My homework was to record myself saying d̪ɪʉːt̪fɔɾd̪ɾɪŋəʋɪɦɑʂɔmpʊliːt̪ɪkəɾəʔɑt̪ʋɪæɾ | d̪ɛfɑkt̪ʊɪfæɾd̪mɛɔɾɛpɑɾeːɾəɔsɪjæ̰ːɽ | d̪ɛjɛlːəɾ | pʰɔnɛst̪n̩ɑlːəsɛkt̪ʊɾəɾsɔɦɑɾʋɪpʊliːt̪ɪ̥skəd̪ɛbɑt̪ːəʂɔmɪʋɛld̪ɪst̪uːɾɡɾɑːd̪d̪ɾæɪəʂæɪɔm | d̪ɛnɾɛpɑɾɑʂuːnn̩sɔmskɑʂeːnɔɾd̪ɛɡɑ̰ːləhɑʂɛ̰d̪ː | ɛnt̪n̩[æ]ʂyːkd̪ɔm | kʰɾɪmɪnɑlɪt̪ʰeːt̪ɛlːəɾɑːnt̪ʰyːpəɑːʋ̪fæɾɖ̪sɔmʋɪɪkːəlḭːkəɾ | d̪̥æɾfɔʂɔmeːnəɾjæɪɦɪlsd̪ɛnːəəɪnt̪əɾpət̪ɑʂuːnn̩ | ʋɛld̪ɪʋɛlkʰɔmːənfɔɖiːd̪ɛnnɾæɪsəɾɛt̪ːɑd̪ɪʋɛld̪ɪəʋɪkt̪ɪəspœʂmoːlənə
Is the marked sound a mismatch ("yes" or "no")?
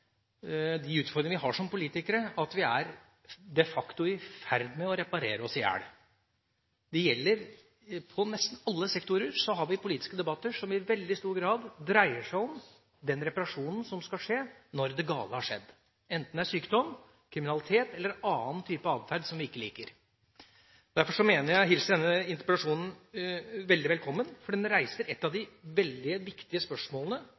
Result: no